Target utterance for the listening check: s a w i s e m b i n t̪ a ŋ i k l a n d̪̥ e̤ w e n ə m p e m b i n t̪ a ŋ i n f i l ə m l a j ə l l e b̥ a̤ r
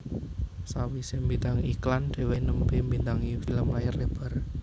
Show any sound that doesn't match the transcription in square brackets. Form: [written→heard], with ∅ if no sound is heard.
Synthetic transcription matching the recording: s a w i s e m b i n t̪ a ŋ i k l a n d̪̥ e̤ w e n ə m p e m b i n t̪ a ŋ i [n→∅] f i l ə m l a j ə [l→r] l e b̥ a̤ r